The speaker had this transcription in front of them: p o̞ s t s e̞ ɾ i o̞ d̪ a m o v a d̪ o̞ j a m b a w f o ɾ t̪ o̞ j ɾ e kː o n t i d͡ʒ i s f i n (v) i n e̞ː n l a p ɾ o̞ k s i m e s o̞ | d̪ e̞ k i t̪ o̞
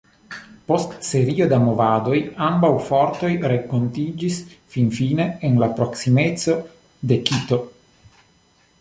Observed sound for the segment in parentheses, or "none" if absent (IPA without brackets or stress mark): f